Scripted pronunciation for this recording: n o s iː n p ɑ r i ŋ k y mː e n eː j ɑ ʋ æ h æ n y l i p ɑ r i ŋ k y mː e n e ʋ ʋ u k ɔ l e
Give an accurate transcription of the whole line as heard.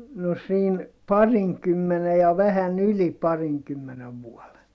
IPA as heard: n o s iː n p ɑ r i ŋ k y mː e n e j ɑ ʋ æ h æ n y l i p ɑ r i ŋ k y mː e n e ʋ ʋ u ɔ l e